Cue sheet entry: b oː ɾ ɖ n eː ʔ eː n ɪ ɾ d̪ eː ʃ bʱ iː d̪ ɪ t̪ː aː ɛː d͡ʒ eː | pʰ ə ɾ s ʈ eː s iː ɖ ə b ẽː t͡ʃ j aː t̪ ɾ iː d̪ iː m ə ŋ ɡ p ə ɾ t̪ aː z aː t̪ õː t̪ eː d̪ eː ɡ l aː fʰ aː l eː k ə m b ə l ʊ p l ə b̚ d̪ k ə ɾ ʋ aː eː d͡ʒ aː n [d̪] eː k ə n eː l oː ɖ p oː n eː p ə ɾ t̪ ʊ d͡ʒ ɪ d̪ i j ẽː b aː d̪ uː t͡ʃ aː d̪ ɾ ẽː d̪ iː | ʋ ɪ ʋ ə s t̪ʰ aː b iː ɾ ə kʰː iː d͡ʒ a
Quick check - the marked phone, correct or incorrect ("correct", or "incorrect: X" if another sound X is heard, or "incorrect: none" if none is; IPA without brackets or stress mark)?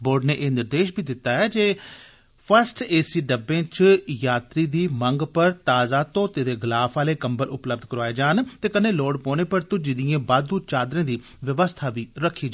incorrect: t̪